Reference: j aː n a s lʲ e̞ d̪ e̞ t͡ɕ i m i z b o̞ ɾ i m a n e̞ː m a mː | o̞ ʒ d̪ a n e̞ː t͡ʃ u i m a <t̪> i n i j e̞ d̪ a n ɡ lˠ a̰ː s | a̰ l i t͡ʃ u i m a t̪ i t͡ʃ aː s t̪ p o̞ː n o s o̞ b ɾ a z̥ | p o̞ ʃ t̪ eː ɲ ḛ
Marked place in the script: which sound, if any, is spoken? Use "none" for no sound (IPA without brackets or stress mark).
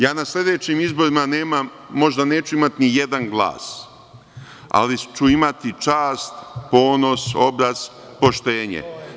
t̪